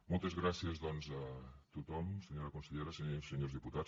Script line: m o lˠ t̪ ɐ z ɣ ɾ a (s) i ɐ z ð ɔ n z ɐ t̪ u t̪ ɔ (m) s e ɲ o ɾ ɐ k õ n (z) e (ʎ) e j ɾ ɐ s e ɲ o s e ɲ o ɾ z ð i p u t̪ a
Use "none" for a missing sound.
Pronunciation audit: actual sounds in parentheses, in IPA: s, m, s, ʎ

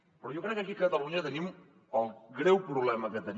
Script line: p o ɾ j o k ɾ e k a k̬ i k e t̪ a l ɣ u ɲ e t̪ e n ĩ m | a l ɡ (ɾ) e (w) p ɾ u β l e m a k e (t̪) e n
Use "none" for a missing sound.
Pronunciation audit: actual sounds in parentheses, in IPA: ɾ, w, t̪

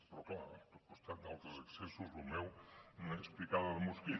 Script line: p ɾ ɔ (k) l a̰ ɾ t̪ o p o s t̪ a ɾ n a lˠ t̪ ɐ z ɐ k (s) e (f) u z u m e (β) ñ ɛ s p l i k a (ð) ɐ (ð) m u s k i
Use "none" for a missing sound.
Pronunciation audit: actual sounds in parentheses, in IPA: k, s, s, w, ð, ð

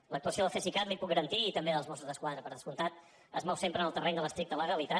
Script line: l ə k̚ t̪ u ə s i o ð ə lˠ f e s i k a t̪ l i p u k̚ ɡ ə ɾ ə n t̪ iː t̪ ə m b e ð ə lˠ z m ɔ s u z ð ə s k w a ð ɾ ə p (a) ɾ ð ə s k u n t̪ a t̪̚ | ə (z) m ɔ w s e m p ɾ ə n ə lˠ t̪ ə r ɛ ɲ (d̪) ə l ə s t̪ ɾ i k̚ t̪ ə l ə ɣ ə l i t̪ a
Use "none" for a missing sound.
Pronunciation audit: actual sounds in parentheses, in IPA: ə, z, d̪

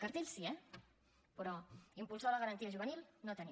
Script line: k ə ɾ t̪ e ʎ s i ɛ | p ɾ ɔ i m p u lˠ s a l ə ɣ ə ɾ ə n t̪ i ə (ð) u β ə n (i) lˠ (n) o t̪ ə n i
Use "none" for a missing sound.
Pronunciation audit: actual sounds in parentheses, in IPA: ʒ, i, n

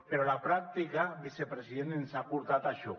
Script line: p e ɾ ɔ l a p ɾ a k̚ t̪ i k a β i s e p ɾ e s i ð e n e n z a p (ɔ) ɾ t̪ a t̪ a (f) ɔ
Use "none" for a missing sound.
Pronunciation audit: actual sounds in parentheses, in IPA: u, ʃ

